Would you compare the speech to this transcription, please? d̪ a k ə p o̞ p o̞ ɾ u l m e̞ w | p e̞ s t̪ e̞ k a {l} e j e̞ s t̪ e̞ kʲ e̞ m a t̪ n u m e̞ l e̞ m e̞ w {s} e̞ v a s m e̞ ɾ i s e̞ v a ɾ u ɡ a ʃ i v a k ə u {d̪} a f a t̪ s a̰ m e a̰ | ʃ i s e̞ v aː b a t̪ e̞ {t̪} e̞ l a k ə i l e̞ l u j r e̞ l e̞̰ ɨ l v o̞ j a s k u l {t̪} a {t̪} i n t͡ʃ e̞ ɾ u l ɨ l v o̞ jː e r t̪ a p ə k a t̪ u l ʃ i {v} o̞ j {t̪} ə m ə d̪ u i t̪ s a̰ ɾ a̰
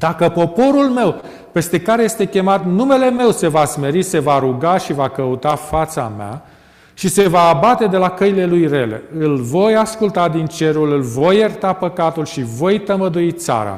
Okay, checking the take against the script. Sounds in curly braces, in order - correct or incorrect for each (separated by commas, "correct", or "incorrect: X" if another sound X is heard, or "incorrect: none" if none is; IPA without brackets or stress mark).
incorrect: ɾ, correct, incorrect: t̪, incorrect: d̪, correct, incorrect: d̪, correct, correct